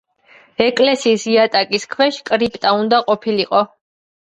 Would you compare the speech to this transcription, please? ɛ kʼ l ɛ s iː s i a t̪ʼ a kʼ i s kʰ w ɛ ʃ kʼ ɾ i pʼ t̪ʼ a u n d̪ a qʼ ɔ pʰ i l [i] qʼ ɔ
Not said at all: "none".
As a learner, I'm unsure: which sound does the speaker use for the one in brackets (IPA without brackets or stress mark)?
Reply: i